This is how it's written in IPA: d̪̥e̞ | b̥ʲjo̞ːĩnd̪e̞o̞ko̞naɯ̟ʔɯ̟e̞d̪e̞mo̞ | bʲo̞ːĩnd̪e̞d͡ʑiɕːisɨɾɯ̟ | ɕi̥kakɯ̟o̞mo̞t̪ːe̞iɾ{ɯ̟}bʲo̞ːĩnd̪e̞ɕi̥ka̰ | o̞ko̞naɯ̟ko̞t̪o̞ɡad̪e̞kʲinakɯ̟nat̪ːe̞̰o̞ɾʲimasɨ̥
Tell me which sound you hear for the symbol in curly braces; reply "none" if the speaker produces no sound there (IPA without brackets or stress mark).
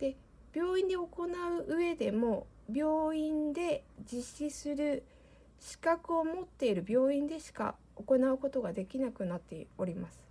ɯ̟